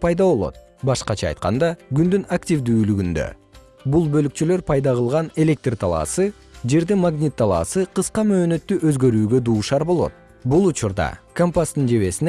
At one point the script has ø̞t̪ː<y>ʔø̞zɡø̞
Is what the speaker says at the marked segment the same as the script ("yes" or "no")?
yes